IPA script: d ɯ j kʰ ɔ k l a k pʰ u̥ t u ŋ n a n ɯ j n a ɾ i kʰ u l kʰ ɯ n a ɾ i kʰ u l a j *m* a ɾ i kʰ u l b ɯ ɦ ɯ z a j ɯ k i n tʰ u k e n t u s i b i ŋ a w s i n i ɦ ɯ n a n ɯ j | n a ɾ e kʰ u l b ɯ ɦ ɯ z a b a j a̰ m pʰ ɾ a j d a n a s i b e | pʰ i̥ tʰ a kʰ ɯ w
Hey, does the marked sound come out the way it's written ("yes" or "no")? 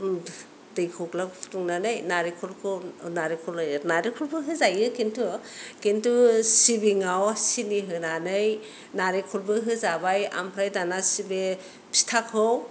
no